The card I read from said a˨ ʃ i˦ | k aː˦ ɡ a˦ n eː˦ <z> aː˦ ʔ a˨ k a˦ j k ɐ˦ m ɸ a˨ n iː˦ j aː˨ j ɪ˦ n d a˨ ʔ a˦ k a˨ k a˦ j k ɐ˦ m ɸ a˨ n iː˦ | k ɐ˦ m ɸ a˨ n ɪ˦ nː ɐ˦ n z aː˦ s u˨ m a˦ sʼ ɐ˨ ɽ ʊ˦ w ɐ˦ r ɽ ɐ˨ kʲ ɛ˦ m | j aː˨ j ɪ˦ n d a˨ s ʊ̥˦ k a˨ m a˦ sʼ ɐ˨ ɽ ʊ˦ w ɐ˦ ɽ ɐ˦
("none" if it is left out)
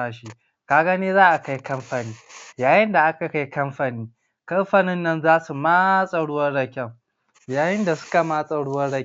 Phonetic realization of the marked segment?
z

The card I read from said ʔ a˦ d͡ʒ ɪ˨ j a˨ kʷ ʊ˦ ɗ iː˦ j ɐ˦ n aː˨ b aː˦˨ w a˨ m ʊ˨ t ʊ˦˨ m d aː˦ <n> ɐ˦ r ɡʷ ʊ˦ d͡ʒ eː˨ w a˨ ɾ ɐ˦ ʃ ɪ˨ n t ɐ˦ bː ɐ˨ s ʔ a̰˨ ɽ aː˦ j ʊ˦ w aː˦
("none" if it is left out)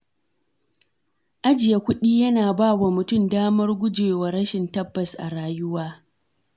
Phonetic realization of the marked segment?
m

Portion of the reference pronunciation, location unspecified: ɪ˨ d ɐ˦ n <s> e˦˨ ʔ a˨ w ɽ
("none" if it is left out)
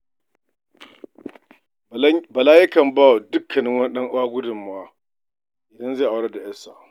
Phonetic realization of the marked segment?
z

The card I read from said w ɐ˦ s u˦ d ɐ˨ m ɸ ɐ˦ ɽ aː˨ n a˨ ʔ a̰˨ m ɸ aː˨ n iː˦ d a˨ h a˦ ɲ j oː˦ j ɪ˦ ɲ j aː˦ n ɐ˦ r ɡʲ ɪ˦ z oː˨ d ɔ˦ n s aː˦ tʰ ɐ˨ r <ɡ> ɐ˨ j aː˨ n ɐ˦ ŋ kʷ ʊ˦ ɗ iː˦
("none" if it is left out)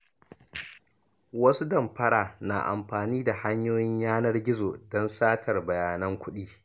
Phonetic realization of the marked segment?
b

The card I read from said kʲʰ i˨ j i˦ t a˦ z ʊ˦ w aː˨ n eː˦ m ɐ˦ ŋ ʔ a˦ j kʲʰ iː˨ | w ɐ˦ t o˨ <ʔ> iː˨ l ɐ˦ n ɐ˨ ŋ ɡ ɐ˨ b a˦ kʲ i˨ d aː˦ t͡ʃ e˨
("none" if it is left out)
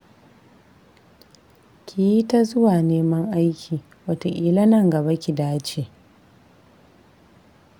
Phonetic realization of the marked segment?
ʔ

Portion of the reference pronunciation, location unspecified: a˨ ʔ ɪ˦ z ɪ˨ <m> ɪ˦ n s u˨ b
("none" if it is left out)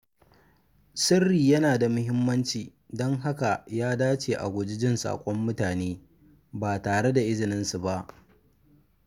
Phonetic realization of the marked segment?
n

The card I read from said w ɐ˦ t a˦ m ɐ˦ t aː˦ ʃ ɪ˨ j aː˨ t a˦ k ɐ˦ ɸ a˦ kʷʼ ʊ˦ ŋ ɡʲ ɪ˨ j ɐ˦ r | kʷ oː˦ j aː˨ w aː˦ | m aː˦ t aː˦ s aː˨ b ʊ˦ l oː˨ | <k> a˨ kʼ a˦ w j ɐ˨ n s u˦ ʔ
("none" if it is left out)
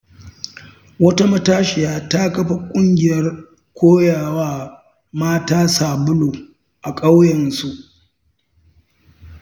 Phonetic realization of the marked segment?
ʔ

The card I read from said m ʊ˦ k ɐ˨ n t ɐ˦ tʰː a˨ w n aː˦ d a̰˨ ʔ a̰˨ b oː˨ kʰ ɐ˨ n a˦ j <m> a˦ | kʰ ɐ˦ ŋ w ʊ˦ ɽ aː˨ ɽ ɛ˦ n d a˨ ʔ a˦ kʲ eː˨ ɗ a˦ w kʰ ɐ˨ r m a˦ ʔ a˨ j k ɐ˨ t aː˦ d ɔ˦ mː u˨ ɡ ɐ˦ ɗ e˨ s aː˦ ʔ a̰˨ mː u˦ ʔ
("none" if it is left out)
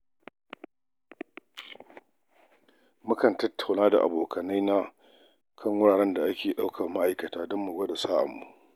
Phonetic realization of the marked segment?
n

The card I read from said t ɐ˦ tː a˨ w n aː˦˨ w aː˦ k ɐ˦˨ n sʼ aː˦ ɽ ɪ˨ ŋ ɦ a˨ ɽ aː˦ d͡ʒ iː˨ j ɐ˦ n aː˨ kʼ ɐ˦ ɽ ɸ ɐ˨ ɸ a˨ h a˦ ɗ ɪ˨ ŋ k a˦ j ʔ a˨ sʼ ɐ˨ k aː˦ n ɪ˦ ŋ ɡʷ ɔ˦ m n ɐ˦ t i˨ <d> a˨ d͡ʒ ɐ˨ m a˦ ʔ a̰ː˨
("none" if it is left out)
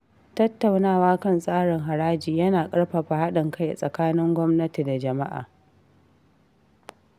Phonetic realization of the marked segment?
d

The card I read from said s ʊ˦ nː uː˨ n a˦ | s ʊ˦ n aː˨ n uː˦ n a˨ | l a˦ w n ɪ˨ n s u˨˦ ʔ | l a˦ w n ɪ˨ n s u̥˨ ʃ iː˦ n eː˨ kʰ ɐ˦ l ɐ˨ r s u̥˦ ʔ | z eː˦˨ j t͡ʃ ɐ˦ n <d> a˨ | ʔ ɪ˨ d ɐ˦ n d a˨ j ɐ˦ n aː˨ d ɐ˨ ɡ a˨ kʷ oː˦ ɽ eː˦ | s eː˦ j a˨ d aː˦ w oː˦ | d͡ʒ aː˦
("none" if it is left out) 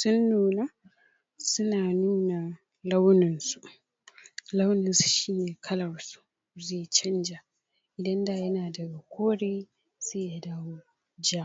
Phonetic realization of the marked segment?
d͡ʒ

